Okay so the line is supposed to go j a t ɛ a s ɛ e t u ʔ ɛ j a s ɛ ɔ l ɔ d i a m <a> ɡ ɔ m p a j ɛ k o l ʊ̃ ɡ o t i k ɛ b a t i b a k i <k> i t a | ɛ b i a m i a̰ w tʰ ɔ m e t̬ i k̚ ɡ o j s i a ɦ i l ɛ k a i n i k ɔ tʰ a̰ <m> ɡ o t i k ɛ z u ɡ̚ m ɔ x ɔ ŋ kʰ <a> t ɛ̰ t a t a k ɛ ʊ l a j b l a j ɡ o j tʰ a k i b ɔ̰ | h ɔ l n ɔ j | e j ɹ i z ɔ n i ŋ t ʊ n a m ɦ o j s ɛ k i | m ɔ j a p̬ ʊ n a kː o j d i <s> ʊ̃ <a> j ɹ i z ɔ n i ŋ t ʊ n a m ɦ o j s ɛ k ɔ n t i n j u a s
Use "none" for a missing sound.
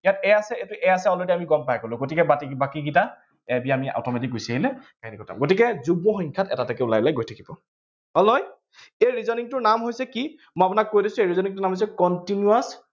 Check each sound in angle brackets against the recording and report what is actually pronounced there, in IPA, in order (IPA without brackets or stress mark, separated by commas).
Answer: i, ɡ, m, a, s, e